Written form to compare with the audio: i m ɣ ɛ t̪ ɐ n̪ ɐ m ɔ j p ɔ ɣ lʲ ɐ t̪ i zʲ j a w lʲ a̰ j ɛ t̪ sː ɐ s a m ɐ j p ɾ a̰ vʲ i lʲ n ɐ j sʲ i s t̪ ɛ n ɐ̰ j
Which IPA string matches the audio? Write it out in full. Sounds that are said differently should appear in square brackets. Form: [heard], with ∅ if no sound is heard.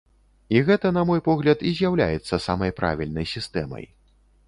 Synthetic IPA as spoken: i [∅] ɣ ɛ t̪ ɐ n̪ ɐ m ɔ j p ɔ ɣ lʲ ɐ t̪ i zʲ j a w lʲ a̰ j ɛ t̪ sː ɐ s a m ɐ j p ɾ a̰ vʲ i lʲ n ɐ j sʲ i s t̪ ɛ [m] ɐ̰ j